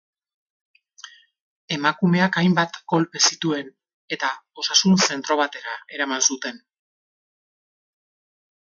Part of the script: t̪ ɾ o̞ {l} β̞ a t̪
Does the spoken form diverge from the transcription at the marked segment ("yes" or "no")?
yes